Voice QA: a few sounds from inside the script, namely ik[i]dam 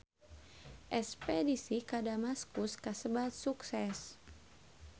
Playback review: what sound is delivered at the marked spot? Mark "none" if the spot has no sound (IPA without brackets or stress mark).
a